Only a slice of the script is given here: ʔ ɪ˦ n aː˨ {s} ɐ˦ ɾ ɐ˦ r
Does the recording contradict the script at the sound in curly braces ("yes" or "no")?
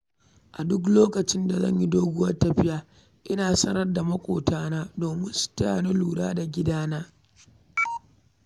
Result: no